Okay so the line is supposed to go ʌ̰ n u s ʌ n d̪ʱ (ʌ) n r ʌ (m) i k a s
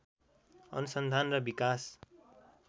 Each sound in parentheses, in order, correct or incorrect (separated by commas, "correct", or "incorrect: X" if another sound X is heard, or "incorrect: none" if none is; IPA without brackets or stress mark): incorrect: a, incorrect: b